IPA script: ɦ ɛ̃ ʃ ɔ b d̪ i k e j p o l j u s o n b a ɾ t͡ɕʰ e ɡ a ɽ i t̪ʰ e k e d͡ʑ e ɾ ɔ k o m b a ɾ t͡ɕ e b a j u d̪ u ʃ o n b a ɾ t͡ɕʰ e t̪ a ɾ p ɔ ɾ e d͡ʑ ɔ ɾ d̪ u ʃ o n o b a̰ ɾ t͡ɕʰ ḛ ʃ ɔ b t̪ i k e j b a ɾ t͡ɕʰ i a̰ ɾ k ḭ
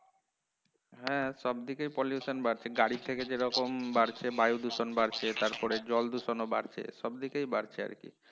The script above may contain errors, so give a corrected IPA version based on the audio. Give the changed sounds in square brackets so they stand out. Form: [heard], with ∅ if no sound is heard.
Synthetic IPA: ɦ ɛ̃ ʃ ɔ b d̪ i k e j p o l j u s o n b a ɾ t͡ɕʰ e ɡ a ɽ i t̪ʰ e k e d͡ʑ e ɾ ɔ k o m b a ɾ [t͡ɕʰ] e b a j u d̪ u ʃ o n b a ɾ t͡ɕʰ e t̪ a ɾ p ɔ ɾ e d͡ʑ ɔ [l] d̪ u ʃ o n o b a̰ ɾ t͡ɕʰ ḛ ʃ ɔ b [d̪] i k e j b a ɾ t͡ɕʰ [e] a̰ ɾ k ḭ